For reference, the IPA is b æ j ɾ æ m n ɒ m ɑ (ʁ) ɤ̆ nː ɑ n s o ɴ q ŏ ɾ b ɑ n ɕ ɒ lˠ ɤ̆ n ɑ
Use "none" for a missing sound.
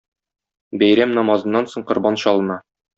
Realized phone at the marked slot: z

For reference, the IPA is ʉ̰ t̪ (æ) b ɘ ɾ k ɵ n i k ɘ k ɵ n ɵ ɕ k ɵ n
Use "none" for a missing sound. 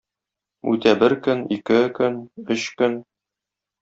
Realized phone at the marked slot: æ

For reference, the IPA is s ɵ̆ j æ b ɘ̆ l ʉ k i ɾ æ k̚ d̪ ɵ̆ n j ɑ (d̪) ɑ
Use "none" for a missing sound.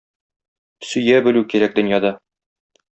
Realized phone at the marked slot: d̪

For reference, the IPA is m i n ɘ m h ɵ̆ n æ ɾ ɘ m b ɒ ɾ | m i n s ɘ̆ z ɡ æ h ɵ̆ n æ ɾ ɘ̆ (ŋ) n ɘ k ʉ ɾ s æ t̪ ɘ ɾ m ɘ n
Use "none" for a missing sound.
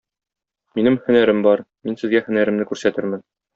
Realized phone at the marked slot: m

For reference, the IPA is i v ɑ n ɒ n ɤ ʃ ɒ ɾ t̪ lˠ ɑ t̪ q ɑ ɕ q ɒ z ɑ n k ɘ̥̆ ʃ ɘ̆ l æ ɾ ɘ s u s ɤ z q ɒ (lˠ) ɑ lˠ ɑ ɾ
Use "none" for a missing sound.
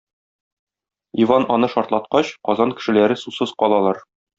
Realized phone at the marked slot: lˠ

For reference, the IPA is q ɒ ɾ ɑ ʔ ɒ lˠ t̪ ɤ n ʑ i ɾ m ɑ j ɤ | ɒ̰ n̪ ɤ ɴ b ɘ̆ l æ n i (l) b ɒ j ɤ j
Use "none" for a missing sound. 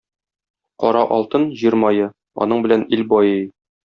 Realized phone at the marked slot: l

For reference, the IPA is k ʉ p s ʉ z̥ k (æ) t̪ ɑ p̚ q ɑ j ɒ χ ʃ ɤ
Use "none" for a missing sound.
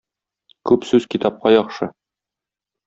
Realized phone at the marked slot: i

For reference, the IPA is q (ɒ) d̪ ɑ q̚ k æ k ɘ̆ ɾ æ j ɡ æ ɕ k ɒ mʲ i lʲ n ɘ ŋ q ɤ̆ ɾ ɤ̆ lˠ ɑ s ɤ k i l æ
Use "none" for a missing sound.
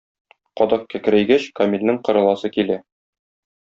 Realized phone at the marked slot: ɒ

